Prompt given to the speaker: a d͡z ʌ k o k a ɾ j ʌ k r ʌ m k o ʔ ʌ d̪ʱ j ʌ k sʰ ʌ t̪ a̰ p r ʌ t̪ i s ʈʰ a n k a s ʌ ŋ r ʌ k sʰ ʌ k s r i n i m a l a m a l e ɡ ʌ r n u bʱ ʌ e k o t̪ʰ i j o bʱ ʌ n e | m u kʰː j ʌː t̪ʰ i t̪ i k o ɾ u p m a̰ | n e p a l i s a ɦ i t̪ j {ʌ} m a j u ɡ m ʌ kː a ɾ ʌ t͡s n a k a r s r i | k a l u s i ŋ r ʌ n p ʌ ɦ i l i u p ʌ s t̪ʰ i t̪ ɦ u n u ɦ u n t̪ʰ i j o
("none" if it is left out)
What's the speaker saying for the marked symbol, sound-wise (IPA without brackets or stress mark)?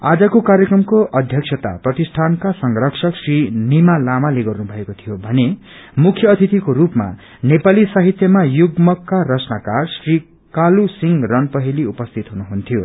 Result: ʌ